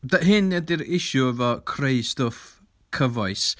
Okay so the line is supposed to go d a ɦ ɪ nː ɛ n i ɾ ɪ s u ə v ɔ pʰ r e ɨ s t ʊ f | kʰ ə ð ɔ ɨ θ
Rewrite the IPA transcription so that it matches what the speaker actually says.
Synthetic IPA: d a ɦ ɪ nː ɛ d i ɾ ɪ ʃ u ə v ɔ kʰ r e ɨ s t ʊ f | kʰ ə v ɔ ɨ s